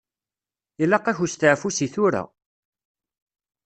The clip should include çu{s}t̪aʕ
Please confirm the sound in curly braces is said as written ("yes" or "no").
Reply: yes